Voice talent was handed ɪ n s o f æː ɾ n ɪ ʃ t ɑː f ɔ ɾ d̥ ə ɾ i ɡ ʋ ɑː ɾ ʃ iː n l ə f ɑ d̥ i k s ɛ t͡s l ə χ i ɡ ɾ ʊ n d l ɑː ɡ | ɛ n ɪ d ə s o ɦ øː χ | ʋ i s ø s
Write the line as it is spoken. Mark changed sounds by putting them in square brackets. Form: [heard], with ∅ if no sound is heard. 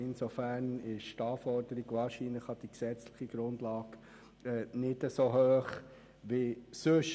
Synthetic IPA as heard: ɪ n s o f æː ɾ n ɪ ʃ t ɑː f ɔ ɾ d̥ ə ɾ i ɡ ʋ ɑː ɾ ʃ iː n l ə [χ] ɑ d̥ i k s ɛ t͡s l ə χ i ɡ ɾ ʊ n d l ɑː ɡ | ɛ n ɪ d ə s o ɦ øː χ | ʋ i s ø [ʃ]